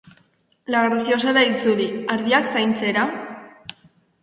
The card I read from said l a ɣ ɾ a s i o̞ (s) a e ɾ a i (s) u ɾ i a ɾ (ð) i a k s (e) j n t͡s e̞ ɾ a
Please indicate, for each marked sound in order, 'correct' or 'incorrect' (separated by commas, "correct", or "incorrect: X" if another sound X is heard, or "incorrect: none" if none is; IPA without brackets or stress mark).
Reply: correct, incorrect: t͡s, correct, incorrect: a